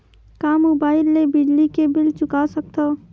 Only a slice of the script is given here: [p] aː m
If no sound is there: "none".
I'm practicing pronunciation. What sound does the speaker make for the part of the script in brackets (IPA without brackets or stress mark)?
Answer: k